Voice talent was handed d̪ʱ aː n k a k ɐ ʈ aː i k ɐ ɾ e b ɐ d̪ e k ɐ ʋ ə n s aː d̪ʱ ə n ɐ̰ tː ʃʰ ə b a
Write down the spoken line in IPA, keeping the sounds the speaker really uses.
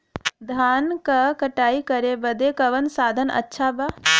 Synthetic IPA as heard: d̪ʱ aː n k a k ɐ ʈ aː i k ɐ ɾ e b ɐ d̪ e k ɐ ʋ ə n s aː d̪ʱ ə n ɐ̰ tː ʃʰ a b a